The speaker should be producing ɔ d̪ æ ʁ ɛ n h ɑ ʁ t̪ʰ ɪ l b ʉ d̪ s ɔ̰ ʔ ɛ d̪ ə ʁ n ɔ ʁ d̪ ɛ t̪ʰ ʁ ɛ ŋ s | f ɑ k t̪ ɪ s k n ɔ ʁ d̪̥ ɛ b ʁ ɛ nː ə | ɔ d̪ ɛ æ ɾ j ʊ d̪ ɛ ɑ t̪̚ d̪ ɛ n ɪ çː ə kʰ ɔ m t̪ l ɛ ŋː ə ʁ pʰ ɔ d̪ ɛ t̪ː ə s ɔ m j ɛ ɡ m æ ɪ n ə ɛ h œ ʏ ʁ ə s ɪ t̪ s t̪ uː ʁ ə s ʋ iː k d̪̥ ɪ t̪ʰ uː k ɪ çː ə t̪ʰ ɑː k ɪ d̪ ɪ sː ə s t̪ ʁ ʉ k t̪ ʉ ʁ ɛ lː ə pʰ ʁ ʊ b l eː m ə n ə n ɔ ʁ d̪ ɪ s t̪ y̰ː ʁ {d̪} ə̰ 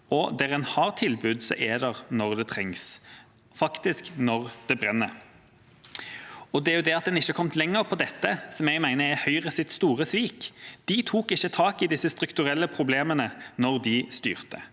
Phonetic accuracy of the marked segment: incorrect: t̪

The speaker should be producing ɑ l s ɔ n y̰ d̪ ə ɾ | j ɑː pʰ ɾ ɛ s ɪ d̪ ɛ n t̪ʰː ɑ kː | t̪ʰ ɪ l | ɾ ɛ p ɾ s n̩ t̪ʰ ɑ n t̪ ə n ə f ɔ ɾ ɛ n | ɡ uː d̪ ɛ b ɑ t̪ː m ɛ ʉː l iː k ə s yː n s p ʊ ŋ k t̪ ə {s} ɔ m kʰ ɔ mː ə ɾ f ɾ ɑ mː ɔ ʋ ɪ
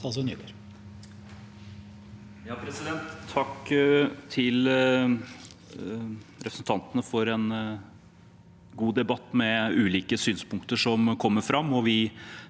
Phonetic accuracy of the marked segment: incorrect: ʂ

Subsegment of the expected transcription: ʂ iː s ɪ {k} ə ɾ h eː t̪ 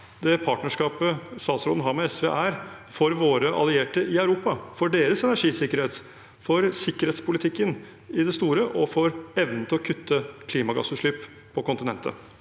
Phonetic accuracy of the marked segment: correct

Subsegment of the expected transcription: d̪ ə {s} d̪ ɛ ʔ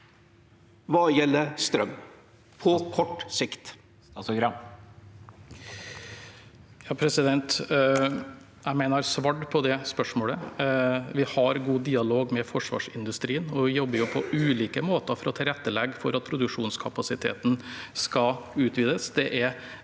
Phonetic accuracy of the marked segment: correct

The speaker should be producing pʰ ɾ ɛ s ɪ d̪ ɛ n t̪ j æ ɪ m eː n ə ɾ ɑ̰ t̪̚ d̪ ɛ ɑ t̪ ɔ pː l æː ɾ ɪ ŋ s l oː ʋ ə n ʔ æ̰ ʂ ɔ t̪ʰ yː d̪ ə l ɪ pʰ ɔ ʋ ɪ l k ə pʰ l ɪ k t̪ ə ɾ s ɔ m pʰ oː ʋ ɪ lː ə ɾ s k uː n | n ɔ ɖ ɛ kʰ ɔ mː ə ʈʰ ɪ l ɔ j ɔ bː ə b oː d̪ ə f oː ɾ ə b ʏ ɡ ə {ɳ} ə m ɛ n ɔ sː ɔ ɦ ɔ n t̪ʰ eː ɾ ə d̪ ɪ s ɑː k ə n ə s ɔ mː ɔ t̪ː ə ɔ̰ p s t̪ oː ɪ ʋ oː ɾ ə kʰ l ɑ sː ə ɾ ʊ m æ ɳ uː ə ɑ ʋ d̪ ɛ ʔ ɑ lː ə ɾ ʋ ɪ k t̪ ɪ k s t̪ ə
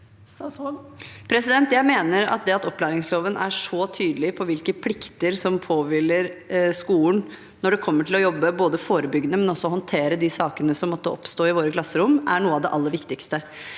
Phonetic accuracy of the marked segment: incorrect: n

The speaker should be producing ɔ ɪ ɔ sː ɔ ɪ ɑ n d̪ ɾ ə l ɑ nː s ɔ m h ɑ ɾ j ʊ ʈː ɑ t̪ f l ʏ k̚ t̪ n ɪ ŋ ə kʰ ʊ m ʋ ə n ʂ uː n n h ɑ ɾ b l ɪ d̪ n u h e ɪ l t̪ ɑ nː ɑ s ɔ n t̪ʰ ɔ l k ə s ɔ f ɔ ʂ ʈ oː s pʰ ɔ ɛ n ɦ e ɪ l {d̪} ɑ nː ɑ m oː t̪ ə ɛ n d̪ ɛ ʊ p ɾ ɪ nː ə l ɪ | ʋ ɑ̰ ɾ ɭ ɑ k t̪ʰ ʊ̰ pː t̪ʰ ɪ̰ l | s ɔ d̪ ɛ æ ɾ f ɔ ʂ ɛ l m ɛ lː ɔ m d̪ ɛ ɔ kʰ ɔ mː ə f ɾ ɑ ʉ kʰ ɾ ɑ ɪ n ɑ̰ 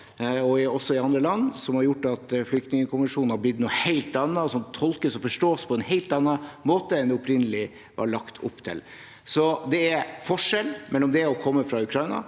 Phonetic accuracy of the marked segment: incorrect: t̪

